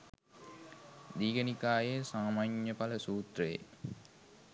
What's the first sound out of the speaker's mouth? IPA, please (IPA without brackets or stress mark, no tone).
d̪